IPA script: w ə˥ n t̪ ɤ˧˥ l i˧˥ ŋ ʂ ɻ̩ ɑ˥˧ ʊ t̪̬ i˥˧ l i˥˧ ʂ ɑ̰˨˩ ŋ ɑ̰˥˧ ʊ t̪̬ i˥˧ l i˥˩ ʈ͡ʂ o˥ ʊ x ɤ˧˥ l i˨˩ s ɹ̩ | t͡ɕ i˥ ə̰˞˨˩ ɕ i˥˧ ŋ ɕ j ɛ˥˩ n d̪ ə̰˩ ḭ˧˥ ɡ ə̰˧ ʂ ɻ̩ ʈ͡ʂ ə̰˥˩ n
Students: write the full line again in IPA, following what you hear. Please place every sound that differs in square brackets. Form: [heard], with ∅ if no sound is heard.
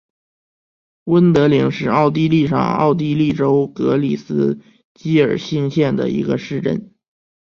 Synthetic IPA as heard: w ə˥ n t̪ ɤ˧˥ l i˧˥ ŋ ʂ ɻ̩ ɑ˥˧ ʊ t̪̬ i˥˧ l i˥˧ ʂ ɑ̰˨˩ ŋ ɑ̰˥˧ ʊ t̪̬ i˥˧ l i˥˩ ʈ͡ʂ o˥ ʊ [k] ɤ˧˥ l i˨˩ s ɹ̩ | t͡ɕ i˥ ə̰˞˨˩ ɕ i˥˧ ŋ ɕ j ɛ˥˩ n d̪ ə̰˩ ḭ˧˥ ɡ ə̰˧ ʂ ɻ̩ ʈ͡ʂ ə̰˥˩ n

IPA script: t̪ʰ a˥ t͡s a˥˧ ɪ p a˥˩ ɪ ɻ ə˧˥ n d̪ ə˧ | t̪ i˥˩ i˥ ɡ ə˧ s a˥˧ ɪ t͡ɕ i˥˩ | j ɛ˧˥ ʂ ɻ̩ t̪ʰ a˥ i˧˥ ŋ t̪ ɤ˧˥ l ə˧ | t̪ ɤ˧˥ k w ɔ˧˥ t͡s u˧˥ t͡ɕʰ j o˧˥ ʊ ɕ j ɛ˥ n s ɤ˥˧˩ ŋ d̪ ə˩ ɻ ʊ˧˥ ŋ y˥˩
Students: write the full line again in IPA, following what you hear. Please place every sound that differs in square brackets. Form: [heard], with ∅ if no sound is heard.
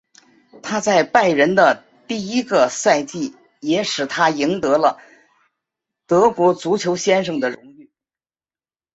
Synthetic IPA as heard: t̪ʰ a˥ t͡s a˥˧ ɪ p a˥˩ ɪ ɻ ə˧˥ n d̪ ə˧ | t̪ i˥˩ i˥ ɡ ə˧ s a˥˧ ɪ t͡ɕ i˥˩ | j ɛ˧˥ ʂ ɻ̩ t̪ʰ a˥ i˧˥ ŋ t̪ ɤ˧˥ l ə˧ | t̪ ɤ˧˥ k w ɔ˧˥ t͡s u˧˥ t͡ɕʰ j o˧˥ ʊ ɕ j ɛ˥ n [ʂ] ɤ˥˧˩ ŋ d̪ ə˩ ɻ ʊ˧˥ ŋ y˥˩

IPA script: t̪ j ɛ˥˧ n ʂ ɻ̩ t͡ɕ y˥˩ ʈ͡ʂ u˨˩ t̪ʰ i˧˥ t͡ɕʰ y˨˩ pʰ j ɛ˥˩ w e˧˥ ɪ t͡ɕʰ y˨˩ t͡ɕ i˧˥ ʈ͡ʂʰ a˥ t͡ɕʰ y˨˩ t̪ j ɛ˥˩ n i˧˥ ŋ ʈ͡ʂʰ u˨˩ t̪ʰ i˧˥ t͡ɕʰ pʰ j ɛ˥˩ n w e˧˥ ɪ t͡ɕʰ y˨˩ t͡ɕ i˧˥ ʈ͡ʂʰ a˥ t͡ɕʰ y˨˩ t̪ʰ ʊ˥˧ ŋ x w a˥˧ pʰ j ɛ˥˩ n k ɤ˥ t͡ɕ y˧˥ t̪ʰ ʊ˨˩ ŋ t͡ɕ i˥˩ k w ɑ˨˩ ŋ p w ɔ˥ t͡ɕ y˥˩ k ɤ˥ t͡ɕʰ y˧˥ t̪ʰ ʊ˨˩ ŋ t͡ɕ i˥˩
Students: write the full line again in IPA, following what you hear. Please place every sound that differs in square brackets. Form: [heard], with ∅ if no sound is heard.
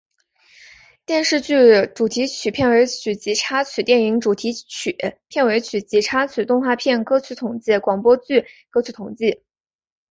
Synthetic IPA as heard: t̪ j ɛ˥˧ n ʂ ɻ̩ t͡ɕ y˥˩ ʈ͡ʂ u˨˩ t̪ʰ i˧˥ t͡ɕʰ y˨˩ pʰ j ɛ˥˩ w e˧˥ ɪ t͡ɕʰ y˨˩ t͡ɕ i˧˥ ʈ͡ʂʰ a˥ t͡ɕʰ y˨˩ t̪ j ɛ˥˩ n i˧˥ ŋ [ʈ͡ʂ] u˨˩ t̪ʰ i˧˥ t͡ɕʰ pʰ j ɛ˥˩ n w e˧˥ ɪ t͡ɕʰ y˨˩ t͡ɕ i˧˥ ʈ͡ʂʰ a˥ t͡ɕʰ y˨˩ [t̪] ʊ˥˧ ŋ x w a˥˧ pʰ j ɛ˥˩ n k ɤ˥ [t͡ɕʰ] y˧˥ t̪ʰ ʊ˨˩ ŋ t͡ɕ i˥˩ k w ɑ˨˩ ŋ p w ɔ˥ t͡ɕ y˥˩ k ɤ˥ t͡ɕʰ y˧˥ t̪ʰ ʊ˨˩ ŋ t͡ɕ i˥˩

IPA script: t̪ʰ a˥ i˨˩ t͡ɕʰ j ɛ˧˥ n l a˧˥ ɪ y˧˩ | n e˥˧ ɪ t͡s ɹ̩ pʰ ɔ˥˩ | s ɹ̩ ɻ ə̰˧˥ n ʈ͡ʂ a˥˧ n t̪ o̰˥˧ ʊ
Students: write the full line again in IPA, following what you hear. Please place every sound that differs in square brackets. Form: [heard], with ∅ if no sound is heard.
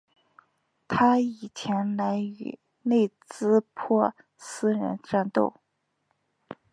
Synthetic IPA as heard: t̪ʰ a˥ i˨˩ t͡ɕʰ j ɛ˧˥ n l a˧˥ ɪ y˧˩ | n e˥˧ ɪ t͡s ɹ̩ pʰ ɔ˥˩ | s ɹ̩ ɻ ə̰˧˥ n ʈ͡ʂ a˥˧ n t̪ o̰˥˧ ʊ

